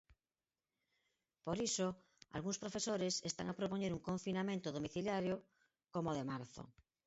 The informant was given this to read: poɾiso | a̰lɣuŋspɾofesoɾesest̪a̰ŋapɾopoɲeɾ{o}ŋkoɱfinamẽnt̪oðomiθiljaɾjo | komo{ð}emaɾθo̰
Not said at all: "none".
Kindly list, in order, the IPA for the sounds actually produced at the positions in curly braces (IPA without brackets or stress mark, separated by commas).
u, ð